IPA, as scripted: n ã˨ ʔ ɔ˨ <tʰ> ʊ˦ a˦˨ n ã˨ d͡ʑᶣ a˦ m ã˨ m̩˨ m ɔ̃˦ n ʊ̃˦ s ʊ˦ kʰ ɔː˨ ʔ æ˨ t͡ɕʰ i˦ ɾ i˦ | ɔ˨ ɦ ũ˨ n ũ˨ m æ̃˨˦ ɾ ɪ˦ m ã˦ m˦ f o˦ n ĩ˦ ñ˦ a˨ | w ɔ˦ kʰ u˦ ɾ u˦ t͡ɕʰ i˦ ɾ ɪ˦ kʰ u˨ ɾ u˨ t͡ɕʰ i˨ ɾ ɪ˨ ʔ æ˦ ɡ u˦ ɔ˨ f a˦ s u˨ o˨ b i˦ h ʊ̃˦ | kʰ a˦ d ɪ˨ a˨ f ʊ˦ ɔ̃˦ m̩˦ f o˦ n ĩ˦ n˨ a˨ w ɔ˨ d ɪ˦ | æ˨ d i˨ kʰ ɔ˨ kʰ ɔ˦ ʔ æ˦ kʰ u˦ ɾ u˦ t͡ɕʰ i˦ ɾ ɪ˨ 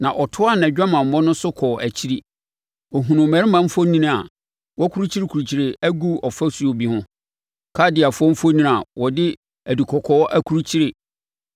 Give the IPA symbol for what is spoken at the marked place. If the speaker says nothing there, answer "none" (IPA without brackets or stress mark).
tʰ